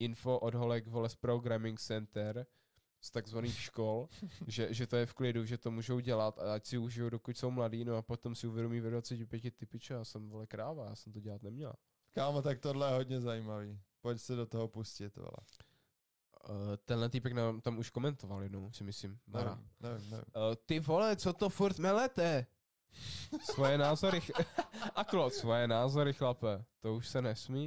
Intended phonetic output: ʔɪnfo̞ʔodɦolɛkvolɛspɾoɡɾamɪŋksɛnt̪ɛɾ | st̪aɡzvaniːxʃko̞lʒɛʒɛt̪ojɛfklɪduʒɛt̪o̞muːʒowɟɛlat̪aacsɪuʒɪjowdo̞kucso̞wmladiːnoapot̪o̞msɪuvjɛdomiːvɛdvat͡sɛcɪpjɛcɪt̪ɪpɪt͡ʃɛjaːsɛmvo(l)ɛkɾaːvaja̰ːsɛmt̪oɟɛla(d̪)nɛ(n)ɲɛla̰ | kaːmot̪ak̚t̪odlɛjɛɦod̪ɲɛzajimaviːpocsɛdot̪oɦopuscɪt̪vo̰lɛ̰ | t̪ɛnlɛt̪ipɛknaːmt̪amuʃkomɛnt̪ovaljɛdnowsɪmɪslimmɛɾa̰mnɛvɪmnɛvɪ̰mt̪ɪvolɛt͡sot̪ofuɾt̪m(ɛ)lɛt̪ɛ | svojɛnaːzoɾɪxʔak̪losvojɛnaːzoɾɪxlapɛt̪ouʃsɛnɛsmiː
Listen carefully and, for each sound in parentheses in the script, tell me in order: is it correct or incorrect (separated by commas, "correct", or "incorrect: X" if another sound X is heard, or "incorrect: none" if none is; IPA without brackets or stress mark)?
correct, incorrect: t̪, incorrect: m, correct